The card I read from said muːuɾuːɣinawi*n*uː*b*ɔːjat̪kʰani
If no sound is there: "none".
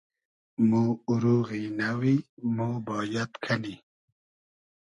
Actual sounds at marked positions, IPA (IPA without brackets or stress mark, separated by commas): m, b